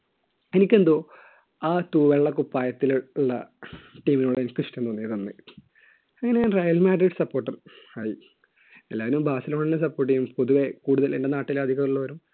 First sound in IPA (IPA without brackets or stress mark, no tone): e̞